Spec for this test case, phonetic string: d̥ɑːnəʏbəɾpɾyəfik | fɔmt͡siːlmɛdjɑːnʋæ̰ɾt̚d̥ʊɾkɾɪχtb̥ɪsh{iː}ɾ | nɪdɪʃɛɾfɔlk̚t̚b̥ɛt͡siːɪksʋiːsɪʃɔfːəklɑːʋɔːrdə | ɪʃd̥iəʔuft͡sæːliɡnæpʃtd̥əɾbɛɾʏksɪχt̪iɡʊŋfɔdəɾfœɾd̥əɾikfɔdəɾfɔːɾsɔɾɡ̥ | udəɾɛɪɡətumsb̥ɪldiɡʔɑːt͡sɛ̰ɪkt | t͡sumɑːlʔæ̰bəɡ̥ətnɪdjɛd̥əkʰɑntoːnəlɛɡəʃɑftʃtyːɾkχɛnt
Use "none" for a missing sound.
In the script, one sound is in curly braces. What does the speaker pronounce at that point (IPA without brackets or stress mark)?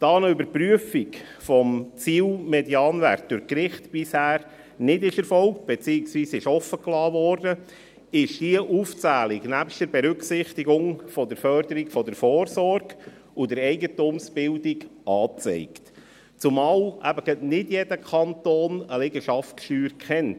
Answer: æː